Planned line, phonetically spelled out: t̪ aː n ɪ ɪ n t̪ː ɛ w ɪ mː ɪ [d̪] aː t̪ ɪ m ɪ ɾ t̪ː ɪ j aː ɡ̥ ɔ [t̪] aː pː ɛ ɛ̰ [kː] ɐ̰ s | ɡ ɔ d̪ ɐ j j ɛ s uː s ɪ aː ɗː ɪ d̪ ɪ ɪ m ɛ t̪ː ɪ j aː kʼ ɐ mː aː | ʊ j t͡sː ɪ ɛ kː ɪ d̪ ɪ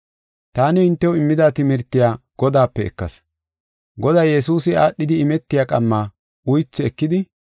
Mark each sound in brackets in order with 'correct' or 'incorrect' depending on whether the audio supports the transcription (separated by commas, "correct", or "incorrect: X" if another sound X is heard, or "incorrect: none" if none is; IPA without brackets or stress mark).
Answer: correct, incorrect: d̪, correct